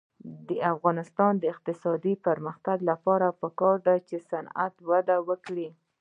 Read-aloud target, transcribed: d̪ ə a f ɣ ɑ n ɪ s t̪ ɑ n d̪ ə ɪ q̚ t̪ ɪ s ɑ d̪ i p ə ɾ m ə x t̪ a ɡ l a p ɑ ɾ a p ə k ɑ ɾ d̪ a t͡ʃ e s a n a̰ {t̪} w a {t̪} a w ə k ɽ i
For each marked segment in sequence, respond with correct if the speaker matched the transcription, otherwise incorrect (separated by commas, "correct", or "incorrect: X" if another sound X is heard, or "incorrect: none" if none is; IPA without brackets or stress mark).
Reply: correct, incorrect: d̪